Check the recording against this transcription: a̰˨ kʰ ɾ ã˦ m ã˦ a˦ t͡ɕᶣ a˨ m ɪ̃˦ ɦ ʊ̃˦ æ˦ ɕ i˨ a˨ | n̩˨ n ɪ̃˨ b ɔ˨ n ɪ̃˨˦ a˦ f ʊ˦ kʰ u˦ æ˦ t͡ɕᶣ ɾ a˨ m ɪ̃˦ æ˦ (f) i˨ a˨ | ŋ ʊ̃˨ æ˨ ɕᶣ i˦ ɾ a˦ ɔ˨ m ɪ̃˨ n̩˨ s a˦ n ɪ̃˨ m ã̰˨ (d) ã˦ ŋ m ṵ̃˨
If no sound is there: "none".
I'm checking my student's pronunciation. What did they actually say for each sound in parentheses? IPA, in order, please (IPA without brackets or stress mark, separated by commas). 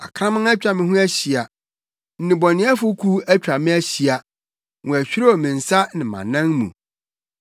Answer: ɕ, n